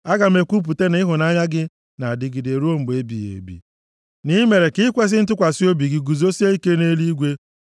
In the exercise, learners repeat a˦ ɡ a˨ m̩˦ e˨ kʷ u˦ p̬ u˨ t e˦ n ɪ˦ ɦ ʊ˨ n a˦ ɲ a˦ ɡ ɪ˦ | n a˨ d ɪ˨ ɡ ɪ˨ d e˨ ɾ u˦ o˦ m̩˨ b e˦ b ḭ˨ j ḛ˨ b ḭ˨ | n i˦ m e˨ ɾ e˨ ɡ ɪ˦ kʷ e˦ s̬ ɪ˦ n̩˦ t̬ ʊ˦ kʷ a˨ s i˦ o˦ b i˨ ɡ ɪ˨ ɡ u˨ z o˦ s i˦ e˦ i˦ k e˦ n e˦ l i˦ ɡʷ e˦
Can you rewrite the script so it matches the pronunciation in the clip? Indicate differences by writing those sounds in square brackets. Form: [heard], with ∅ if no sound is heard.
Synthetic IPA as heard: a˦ ɡ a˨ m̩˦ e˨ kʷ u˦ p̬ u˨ t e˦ n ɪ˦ ɦ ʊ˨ n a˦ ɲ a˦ ɡ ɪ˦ | n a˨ d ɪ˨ ɡ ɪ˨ d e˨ ɾ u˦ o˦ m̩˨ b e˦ b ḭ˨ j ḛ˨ b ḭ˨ | n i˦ m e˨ ɾ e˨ [k] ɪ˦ kʷ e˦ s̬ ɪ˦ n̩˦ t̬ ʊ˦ kʷ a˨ s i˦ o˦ b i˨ ɡ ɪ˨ ɡ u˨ z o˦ s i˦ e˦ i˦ k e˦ n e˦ l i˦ ɡʷ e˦